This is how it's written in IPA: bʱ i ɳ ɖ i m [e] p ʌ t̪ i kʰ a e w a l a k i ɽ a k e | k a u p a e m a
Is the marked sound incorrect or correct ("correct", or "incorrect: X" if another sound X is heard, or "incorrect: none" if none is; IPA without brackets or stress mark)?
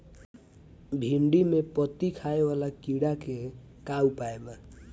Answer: correct